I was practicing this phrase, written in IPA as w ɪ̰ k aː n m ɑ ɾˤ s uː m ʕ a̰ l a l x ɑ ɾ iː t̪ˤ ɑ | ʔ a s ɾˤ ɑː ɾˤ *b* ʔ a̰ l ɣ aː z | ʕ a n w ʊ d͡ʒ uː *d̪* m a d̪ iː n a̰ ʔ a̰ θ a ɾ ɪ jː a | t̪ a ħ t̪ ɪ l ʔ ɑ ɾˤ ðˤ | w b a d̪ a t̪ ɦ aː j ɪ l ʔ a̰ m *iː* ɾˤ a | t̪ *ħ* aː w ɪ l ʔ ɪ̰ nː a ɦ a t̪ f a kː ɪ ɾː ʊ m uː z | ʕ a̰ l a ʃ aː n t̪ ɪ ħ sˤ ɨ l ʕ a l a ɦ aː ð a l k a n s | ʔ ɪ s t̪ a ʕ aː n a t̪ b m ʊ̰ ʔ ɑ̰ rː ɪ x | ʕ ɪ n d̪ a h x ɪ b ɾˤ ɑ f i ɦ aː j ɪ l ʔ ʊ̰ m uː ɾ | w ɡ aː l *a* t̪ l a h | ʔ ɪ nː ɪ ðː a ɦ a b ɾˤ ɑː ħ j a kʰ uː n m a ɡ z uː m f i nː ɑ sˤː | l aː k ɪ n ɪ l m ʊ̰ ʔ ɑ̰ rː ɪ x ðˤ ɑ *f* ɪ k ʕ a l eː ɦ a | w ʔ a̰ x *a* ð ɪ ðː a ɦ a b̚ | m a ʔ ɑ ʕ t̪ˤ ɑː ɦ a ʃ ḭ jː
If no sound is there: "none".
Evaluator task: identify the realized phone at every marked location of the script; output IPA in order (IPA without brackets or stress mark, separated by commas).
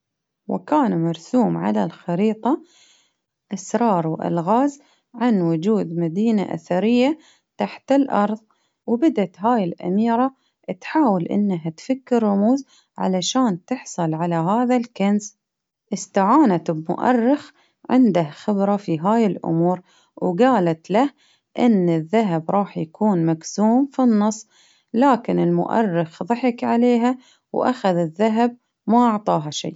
w, d̪, iː, ħ, a, ħ, a